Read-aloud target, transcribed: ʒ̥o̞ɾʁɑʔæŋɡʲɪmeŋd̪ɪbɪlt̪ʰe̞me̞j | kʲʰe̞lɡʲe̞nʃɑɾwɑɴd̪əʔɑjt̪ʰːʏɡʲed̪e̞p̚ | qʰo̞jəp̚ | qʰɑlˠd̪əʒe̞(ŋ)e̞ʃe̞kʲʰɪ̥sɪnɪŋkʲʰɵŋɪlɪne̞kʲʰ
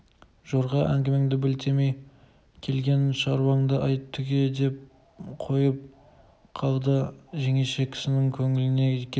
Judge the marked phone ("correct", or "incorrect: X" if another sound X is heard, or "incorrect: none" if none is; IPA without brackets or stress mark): correct